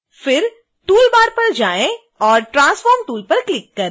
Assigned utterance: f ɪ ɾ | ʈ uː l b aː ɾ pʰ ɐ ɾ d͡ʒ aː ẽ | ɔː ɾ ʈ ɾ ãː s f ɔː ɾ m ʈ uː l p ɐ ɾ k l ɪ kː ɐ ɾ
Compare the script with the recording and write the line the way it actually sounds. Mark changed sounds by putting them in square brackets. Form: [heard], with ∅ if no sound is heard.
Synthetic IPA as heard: f ɪ ɾ | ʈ uː l b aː ɾ [p] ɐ ɾ d͡ʒ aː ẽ | ɔː ɾ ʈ ɾ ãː s f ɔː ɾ m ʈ uː l p ɐ ɾ k l ɪ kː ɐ ɾ